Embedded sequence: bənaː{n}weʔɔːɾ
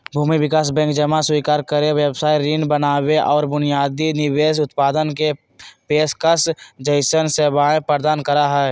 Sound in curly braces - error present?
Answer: yes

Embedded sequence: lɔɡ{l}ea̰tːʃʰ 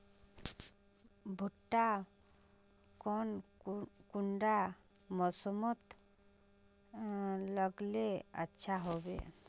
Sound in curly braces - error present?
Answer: no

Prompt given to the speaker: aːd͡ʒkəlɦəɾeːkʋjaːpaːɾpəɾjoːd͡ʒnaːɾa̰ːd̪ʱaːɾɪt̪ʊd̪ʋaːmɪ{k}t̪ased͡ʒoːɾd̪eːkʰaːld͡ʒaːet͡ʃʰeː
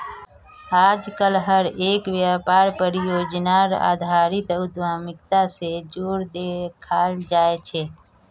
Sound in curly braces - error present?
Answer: no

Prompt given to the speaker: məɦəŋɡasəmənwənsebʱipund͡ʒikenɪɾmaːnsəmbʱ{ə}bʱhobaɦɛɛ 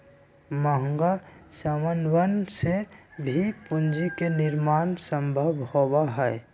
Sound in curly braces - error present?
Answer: no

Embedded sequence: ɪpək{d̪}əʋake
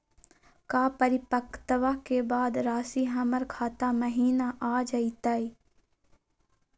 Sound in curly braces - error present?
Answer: yes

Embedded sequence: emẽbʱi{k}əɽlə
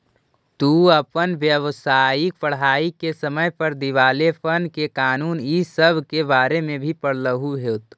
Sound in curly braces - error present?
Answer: yes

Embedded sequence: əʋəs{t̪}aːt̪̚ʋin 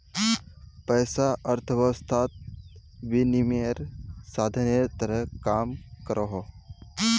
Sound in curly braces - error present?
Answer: yes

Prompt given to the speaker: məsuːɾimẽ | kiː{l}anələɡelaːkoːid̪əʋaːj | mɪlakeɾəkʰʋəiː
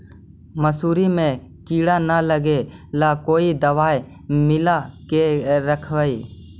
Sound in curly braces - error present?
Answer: yes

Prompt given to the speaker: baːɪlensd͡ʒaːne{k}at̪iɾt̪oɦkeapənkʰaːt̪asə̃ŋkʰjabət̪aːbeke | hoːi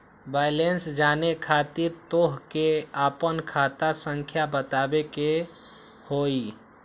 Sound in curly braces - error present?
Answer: yes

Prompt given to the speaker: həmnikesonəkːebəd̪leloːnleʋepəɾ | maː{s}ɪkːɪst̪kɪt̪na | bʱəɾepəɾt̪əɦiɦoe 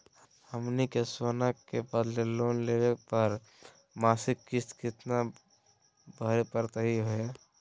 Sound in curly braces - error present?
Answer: no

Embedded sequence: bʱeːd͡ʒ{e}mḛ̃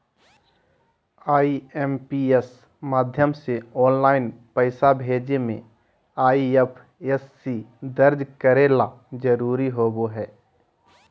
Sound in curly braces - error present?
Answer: no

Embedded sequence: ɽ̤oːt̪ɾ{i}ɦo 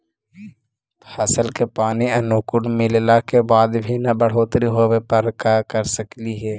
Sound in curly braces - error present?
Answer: no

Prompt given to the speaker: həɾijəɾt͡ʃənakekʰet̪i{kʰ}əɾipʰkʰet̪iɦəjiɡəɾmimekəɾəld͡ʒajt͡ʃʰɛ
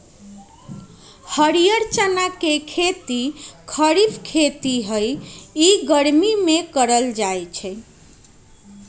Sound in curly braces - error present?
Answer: no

